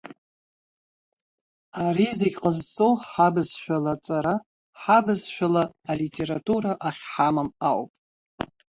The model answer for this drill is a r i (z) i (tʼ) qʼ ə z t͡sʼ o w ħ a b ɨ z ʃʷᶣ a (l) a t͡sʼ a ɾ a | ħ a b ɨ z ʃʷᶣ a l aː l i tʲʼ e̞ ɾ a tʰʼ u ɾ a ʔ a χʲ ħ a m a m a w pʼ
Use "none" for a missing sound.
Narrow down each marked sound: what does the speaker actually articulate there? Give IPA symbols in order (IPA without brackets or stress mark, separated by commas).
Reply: z, kʼ, l